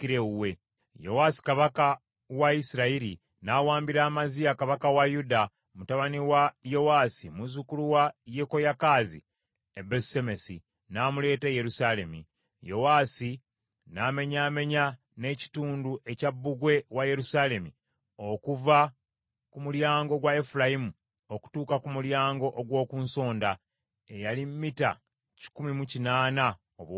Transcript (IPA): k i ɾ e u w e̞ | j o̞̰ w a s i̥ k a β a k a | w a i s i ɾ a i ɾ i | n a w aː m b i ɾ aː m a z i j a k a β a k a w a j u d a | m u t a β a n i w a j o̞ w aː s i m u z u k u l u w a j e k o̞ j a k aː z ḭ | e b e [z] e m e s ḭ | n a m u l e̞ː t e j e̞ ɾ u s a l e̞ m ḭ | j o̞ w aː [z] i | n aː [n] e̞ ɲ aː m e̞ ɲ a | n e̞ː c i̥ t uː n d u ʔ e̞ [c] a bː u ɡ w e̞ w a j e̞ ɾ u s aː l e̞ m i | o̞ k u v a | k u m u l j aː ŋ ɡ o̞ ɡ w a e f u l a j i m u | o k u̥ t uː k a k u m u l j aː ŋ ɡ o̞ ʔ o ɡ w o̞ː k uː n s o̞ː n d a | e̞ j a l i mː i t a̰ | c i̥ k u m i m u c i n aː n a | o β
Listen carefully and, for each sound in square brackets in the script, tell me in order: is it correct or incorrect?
incorrect, incorrect, incorrect, correct

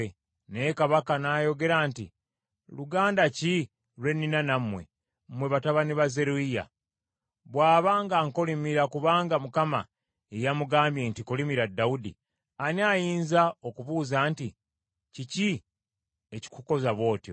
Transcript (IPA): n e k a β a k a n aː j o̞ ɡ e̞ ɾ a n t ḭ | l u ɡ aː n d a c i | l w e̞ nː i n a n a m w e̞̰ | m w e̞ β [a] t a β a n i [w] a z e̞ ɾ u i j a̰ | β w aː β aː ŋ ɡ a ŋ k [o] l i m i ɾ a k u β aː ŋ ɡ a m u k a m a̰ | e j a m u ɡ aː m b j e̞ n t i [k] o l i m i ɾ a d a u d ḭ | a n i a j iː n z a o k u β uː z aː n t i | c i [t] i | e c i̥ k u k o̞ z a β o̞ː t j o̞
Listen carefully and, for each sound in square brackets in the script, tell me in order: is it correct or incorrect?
correct, incorrect, correct, correct, incorrect

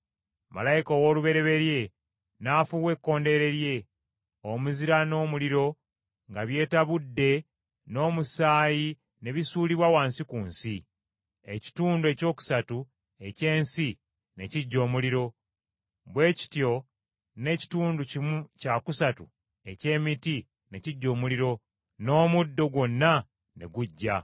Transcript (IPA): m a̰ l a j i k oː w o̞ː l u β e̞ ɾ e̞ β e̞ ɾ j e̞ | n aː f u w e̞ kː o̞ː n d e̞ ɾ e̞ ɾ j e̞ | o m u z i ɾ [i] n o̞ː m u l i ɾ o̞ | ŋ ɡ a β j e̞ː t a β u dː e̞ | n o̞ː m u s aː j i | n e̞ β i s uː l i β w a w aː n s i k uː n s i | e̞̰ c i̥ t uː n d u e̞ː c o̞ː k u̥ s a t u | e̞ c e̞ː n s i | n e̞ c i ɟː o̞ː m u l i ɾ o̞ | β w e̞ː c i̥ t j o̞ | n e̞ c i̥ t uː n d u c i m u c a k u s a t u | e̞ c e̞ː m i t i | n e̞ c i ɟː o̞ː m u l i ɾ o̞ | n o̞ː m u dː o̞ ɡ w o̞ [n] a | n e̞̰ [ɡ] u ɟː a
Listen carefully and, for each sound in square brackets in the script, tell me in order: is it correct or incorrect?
incorrect, incorrect, correct

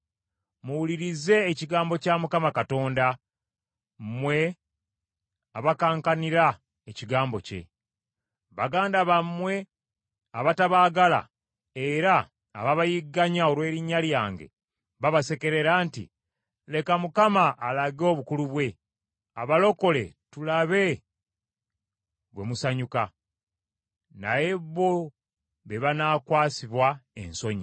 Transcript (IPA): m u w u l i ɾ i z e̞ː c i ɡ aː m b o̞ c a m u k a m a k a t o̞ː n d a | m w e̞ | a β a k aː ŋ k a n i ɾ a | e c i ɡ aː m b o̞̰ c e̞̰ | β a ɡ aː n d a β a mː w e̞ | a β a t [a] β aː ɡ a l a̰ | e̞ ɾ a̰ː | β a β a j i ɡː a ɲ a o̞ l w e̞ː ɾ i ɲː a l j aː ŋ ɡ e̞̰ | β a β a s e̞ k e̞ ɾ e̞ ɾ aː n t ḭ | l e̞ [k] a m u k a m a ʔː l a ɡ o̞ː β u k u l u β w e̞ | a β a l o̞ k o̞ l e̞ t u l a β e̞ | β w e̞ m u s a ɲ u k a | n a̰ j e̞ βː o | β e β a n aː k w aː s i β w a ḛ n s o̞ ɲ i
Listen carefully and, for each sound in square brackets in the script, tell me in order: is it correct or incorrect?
correct, correct

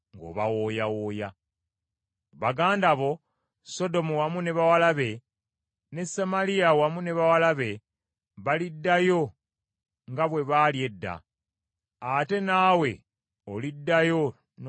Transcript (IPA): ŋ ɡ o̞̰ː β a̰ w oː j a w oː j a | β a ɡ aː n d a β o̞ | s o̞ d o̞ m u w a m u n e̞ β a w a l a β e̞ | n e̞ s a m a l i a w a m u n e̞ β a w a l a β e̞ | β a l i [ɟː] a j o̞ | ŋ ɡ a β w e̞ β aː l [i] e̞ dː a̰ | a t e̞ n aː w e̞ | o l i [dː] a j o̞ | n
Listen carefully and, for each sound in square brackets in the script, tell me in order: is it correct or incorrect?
incorrect, incorrect, correct

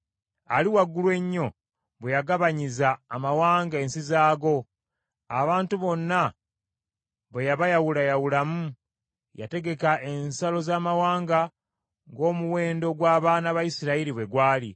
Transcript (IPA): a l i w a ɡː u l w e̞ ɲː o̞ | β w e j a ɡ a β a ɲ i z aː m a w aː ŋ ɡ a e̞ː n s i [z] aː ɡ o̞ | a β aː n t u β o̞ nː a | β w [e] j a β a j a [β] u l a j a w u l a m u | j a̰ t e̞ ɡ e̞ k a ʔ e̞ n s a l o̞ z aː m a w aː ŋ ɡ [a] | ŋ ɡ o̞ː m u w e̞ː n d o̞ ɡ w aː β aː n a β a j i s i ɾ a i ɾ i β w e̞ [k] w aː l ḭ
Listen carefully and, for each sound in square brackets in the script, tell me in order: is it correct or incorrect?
correct, correct, incorrect, correct, incorrect

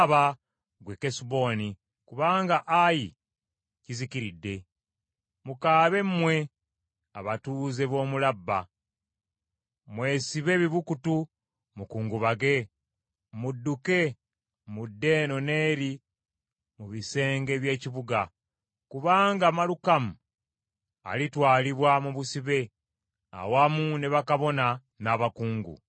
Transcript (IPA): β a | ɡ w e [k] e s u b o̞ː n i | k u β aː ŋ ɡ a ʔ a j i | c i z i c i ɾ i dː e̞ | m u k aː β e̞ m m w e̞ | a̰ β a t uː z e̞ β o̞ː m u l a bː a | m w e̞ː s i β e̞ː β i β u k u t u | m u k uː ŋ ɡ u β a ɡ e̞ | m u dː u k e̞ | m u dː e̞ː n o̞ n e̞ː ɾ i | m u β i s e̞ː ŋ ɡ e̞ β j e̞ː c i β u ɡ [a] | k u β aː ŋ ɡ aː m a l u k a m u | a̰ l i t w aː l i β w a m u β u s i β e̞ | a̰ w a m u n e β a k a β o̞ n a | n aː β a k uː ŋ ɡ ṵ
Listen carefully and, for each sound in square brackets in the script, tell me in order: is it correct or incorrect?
correct, correct

